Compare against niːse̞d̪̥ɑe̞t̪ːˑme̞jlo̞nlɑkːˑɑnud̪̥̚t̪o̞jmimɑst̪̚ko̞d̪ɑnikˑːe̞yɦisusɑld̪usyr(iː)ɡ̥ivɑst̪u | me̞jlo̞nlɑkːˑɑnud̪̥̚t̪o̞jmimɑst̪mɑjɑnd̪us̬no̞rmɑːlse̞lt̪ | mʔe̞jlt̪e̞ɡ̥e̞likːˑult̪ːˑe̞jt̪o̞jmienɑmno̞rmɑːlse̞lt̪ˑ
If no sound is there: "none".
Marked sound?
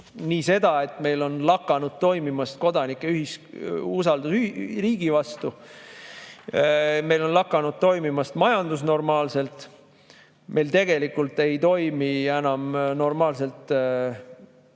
iː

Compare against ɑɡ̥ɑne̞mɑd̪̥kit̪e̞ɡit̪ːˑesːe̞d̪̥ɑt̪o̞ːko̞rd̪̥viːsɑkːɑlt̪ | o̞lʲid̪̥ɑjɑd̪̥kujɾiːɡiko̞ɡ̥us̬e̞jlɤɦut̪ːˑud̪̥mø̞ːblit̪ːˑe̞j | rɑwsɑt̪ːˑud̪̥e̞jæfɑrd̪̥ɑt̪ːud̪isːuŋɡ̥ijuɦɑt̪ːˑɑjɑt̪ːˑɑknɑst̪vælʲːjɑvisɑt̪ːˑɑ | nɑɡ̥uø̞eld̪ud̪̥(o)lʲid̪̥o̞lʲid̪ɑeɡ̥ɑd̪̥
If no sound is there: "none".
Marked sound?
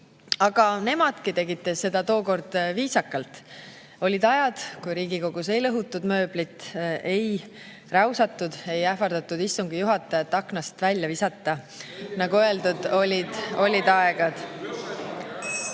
o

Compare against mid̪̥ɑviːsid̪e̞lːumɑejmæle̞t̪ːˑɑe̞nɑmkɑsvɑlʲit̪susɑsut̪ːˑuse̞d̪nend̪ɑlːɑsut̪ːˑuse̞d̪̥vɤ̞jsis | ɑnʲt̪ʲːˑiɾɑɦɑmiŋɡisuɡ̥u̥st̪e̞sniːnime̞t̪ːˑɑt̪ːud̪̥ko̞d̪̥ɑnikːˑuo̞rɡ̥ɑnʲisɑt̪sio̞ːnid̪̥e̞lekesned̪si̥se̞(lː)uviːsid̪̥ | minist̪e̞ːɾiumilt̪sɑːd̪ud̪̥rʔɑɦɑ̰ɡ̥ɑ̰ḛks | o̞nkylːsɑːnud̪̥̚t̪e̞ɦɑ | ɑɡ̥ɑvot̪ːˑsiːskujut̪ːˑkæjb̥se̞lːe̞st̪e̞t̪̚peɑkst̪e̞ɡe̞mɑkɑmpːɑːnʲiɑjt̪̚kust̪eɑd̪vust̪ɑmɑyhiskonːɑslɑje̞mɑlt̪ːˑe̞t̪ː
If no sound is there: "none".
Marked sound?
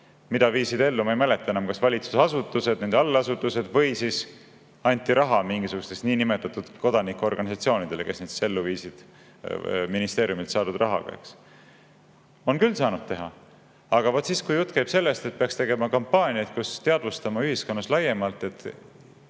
lː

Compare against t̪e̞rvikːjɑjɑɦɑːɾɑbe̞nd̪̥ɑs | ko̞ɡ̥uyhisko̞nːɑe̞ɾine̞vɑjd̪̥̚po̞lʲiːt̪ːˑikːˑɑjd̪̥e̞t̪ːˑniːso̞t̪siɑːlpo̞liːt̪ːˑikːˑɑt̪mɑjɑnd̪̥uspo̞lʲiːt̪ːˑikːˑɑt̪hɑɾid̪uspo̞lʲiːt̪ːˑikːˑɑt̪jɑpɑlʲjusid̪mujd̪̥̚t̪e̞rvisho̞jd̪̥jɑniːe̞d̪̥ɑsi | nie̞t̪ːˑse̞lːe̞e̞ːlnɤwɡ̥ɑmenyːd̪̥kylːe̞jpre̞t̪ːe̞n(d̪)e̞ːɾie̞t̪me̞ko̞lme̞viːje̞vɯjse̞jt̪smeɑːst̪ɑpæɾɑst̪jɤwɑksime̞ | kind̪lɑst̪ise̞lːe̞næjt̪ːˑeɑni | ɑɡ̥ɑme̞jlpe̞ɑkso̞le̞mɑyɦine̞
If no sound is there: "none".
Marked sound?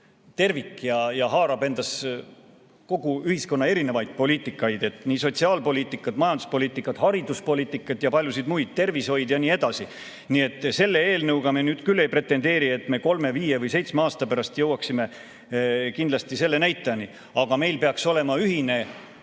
d̪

